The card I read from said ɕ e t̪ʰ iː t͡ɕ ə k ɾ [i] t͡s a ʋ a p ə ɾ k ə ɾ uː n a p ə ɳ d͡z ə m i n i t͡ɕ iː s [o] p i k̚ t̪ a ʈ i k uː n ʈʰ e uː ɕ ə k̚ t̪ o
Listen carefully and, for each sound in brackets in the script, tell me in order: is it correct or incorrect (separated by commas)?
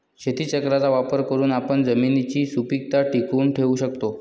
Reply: incorrect, incorrect